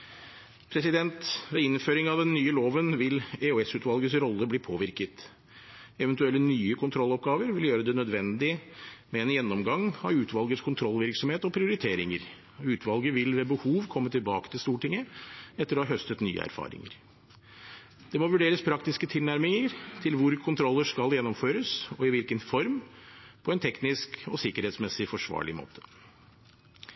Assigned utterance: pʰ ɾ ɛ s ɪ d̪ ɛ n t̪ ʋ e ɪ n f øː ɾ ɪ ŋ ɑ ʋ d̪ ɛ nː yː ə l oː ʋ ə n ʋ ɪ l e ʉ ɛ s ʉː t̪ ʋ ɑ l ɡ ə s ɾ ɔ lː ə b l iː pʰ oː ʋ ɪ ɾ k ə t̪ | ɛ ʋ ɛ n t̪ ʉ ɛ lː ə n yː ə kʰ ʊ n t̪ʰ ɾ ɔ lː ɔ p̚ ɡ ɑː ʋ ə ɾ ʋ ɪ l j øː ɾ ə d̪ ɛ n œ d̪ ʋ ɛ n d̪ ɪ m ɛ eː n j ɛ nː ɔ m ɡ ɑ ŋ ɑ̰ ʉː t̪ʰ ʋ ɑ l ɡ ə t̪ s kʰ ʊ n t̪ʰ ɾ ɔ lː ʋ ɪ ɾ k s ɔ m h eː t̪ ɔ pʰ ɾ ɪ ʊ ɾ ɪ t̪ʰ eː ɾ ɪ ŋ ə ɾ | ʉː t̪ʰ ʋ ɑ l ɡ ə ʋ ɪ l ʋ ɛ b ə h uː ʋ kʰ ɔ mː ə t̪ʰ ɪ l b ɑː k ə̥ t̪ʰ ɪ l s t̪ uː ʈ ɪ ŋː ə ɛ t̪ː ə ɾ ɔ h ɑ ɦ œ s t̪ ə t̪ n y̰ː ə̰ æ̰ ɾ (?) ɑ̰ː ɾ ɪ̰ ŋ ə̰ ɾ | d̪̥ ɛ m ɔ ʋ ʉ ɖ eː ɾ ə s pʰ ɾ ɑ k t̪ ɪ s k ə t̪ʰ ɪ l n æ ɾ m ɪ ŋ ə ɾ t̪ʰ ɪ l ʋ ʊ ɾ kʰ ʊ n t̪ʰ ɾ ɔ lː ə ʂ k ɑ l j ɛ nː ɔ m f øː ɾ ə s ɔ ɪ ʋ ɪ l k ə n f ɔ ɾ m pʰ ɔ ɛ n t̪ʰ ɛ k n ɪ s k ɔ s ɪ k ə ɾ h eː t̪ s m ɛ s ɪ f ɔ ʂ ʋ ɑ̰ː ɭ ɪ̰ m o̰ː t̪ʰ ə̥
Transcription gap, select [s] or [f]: f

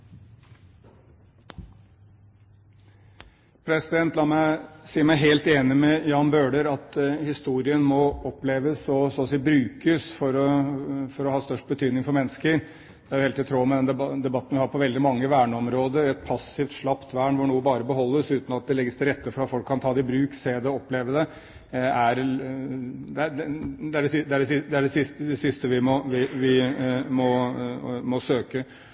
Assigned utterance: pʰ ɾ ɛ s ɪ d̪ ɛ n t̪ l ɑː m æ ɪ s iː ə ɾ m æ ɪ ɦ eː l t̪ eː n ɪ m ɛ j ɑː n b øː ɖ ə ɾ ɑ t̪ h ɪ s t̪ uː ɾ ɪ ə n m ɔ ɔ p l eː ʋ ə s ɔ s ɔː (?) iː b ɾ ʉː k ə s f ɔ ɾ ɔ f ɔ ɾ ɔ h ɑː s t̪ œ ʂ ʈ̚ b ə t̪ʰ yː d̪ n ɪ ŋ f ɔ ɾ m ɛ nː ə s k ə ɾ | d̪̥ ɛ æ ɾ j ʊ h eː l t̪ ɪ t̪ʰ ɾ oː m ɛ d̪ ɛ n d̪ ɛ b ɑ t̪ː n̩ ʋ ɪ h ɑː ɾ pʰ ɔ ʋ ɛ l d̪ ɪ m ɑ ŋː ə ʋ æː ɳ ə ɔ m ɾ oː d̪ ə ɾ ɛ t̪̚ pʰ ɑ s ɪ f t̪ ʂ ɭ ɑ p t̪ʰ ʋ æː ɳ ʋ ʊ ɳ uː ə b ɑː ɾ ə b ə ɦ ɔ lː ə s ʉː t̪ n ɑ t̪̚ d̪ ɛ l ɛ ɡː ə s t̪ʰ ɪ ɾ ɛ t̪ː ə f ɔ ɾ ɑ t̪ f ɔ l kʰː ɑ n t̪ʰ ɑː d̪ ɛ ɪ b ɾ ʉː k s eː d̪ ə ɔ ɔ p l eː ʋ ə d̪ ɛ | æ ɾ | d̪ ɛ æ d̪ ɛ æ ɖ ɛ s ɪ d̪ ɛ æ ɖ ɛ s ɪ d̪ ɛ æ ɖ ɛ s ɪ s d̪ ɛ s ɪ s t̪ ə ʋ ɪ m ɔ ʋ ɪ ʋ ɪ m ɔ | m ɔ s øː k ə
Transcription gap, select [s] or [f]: s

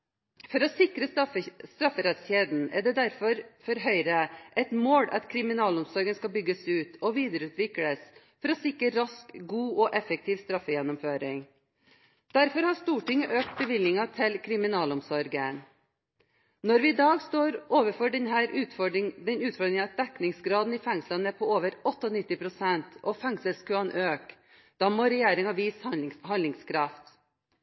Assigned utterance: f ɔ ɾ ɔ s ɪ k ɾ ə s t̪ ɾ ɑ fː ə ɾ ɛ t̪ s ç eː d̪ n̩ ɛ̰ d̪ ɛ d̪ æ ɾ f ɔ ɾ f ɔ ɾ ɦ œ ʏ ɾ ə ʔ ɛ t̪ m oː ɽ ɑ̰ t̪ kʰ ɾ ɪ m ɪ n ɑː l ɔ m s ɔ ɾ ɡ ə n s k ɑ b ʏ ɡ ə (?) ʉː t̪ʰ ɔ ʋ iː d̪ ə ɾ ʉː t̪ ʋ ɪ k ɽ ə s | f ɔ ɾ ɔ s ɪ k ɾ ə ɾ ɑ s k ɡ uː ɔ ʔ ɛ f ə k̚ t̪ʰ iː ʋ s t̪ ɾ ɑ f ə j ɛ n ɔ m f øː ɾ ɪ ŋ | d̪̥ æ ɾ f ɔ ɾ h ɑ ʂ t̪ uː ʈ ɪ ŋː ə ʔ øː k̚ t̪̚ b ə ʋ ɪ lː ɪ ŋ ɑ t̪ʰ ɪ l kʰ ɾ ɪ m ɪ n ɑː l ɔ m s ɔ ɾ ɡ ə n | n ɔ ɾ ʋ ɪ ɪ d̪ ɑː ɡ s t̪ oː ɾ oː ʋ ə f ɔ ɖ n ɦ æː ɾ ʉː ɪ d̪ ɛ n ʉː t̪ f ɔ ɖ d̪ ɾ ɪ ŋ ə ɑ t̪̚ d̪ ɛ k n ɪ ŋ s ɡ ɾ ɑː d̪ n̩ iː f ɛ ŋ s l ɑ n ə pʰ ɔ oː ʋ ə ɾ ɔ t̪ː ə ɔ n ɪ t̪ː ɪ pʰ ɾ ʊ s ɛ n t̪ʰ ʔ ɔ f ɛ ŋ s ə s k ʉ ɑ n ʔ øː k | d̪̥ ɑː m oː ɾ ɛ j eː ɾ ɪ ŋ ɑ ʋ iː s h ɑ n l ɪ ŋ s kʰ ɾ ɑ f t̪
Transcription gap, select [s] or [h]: s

